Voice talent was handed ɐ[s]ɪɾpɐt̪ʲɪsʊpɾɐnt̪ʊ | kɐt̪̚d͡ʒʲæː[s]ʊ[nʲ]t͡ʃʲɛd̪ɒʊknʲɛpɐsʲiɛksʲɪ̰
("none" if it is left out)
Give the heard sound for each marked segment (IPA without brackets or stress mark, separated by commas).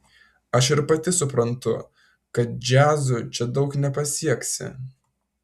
ʃ, z, none